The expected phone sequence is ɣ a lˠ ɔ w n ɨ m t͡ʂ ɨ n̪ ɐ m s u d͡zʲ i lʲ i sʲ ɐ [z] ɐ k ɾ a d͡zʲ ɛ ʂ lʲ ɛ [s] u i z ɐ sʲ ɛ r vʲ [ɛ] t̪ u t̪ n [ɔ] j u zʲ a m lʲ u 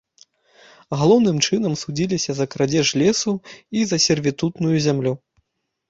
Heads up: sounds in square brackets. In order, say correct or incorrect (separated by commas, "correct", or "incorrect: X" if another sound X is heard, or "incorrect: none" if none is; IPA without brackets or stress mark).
correct, correct, incorrect: i, incorrect: u